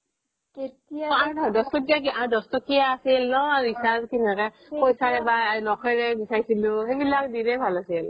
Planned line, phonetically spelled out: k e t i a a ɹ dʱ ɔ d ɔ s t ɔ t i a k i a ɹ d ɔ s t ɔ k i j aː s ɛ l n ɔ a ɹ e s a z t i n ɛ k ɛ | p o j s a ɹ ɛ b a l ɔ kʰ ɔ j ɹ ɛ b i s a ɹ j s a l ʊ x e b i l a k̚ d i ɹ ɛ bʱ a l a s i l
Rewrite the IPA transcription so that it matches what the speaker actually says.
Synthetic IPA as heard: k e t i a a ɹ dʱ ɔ d ɔ s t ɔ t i a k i a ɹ d ɔ s t ɔ k i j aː s i l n ɔ a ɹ i s a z k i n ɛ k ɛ | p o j s a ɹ ɛ b a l ɔ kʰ ɔ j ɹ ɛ b i s a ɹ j s i l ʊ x e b i l a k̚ d i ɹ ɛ bʱ a l a s i l